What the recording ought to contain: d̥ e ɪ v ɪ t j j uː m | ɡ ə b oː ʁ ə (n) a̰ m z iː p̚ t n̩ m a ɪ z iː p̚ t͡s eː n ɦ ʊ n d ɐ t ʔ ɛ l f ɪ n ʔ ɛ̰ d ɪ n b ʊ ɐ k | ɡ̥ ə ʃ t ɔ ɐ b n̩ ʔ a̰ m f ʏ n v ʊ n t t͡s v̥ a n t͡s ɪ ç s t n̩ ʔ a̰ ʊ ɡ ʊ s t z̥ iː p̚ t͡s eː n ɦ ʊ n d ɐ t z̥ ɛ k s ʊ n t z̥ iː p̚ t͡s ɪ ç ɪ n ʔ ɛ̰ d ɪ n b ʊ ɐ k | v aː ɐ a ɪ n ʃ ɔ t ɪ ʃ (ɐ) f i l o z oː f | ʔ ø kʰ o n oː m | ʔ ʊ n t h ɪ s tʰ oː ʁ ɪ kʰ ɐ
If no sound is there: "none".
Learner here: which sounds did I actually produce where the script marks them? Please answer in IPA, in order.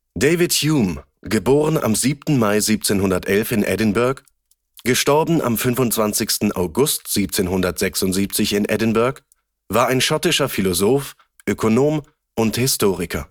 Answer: n, ɐ

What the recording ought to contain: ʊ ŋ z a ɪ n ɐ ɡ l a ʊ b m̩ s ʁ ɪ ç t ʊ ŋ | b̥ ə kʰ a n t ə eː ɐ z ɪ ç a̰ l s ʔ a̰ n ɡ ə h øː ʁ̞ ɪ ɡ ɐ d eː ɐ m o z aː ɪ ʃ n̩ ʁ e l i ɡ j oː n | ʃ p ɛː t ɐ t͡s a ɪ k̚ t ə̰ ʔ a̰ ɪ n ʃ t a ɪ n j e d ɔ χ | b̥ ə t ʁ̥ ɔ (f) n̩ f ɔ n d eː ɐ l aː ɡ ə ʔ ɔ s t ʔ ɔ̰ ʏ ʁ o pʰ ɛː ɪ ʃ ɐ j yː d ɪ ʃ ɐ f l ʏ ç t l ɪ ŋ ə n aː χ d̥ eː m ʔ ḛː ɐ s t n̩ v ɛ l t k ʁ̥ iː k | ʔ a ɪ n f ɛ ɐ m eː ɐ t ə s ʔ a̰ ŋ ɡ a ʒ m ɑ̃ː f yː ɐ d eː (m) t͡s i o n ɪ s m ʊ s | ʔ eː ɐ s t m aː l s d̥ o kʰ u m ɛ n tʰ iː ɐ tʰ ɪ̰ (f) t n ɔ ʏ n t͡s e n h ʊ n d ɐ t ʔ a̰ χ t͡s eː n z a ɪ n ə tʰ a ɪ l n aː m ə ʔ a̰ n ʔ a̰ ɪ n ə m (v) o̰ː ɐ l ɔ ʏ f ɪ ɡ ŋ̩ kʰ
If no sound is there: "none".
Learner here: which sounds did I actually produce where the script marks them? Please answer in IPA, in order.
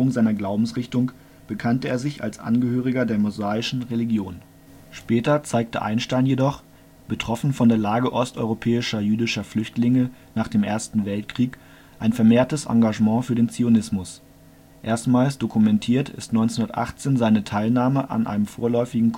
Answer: f, n, s, f

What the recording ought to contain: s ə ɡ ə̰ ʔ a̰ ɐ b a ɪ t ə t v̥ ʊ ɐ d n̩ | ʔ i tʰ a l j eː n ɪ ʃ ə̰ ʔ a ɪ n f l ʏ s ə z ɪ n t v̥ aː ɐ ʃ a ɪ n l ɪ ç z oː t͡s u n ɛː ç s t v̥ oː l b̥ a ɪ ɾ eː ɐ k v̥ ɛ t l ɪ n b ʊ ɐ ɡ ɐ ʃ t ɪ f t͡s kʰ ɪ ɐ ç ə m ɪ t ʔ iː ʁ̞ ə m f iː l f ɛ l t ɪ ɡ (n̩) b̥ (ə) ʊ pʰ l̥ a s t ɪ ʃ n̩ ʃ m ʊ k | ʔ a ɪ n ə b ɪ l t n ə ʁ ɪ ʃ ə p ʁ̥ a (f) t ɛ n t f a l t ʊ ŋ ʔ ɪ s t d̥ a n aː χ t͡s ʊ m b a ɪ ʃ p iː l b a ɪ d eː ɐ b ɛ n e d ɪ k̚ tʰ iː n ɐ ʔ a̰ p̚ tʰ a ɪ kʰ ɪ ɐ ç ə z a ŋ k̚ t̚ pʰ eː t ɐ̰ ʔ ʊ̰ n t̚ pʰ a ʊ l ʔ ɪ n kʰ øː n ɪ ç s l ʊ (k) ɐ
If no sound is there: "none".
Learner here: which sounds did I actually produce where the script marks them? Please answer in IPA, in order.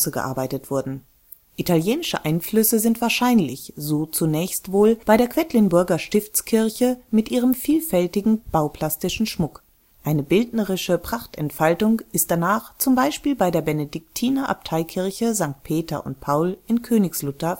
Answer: ŋ̩, a, χ, t

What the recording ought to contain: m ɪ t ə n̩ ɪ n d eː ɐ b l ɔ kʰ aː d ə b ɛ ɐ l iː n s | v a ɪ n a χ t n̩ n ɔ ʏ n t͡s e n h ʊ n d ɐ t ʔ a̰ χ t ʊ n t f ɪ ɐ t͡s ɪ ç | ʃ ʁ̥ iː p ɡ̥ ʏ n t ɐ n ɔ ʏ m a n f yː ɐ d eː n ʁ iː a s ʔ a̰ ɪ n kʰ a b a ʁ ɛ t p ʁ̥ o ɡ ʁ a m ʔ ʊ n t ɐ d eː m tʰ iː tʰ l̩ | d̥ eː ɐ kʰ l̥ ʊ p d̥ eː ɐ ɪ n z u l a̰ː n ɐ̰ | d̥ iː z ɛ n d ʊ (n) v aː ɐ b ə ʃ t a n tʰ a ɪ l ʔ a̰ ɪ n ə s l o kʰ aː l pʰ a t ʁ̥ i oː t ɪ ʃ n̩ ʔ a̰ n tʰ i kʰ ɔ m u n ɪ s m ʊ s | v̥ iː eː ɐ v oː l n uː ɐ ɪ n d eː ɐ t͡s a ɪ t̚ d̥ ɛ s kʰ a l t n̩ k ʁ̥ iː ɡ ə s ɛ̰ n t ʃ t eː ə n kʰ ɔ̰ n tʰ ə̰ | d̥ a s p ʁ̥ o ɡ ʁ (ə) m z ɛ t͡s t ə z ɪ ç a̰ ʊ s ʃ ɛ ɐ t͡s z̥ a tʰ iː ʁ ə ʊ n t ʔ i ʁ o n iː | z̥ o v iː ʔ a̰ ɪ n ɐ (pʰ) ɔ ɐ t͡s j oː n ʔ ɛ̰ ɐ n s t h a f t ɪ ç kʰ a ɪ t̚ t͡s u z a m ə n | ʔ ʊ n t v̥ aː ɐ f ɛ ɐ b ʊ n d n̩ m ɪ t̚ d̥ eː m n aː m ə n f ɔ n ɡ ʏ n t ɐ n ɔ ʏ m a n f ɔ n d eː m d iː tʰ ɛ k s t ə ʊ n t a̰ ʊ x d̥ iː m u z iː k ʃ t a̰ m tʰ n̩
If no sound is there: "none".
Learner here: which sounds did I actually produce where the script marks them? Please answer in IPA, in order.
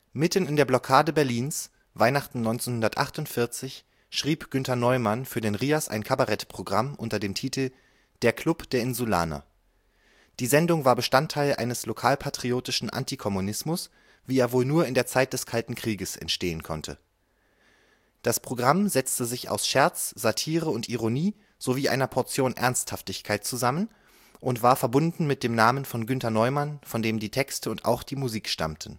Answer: ŋ, a, pʰ

